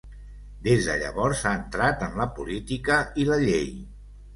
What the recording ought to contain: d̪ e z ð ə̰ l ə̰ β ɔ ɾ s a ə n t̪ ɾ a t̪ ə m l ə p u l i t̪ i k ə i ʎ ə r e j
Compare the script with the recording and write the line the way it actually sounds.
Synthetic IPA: d̪ e z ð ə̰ ʎ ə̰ β ɔ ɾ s a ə n t̪ ɾ a t̪ ə m l ə p u l i t̪ i k ə i l ə ʎ e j

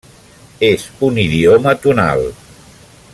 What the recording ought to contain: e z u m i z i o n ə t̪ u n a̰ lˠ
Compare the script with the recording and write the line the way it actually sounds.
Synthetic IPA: e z u n i ð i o m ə t̪ u n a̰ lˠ

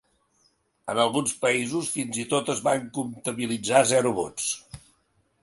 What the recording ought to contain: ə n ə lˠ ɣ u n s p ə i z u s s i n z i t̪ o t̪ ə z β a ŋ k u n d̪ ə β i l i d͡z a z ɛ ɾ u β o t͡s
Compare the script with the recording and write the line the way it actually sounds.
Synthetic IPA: ə n ə lˠ ɣ u n s p ə i z u s f i n z i t̪ o t̪ ə z β a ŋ k u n t̪ ə β i l i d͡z a z ɛ ɾ u β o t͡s

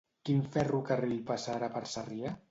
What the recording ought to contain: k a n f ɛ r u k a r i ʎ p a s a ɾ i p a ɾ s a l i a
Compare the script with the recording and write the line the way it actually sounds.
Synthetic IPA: k i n f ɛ r u k a r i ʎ p a s a ɾ a p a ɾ s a r i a

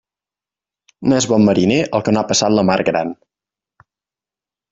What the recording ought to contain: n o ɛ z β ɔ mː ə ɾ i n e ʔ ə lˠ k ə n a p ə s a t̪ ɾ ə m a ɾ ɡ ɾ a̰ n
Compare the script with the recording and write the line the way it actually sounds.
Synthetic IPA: n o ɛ z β ɔ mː ə ɾ i n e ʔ ə lˠ k ə n a p ə s a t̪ l ə m a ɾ ɡ ɾ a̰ n

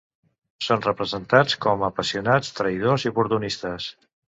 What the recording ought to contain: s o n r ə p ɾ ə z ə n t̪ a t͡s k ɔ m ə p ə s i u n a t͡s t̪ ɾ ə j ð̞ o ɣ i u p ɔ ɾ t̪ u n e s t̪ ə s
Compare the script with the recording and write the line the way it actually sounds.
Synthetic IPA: s o n r ə p ɾ ə z ə n t̪ a t͡s k ɔ m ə p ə s i u n a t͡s t̪ ɾ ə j ð̞ o z i u p u ɾ t̪ u n i s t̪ ə s

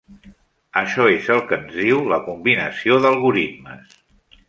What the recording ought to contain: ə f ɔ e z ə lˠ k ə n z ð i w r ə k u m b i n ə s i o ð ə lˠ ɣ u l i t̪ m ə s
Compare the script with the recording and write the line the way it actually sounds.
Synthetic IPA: ə ʃ ɔ e z ə lˠ k ə n z ð i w l ə k u m b i n ə s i o ð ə lˠ ɣ u ɾ i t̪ m ə s

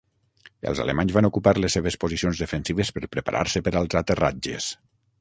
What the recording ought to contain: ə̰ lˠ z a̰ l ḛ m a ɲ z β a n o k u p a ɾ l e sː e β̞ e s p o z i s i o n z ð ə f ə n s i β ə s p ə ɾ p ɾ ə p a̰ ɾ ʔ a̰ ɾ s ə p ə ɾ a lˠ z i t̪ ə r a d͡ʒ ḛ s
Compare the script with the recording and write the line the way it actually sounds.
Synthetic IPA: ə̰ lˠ z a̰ l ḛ m a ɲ z β a n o k u p a ɾ l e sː e β̞ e s p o z i s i o n z ð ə f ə n s i β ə s p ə ɾ p ɾ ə p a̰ ɾ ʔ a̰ ɾ s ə p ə ɾ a lˠ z a t̪ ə r a d͡ʒ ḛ s

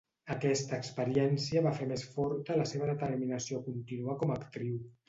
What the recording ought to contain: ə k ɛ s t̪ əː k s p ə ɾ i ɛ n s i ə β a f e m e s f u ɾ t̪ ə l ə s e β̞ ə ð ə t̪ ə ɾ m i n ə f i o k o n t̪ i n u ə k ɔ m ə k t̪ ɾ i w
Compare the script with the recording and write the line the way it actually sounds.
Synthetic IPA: ə k ɛ s t̪ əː k s p ə ɾ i ɛ n s i ə β a f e m e s f ɔ ɾ t̪ ə l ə s e β̞ ə ð ə t̪ ə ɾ m i n ə s i o k u n t̪ i n u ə k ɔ m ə k t̪ ɾ i w

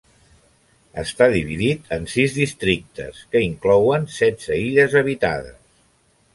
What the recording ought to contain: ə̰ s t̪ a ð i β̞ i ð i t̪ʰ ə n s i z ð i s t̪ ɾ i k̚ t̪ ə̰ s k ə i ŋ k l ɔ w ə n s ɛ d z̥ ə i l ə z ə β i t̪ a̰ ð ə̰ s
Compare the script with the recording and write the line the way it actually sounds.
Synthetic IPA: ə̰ s t̪ a ð i β̞ i ð i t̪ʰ ə n s i z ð i s t̪ ɾ i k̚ t̪ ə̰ s k ə i ŋ k l ɔ w ə n s ɛ d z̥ ə i ʎ ə z ə β i t̪ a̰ ð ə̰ s

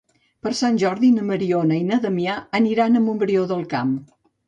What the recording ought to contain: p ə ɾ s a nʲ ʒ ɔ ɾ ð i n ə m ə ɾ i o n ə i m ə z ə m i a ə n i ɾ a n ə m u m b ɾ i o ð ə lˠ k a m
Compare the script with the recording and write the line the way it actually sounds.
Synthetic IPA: p ə ɾ s a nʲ ʒ ɔ ɾ ð i n ə m ə ɾ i o n ə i n ə ð ə m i a ə n i ɾ a n ə m u m b ɾ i o ð ə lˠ k a m

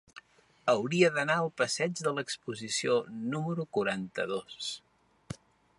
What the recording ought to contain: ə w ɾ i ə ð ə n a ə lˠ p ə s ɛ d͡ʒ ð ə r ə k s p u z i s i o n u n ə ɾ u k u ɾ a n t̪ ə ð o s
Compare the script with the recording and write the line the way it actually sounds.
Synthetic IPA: ə w ɾ i ə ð ə n a ə lˠ p ə s ɛ d͡ʒ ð ə l ə k s p u z i s i o n u m ə ɾ u k u ɾ a n t̪ ə ð o s

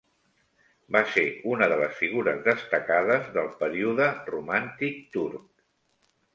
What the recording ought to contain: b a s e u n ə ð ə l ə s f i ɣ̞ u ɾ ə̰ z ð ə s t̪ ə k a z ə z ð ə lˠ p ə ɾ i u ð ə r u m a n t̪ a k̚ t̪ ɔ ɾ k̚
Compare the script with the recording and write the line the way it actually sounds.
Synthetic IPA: b a s e u n ə ð ə l ə s f i ɣ̞ u ɾ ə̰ z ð ə s t̪ ə k a ð ə z ð ə lˠ p ə ɾ i u ð ə r u m a n t̪ i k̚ t̪ u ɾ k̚

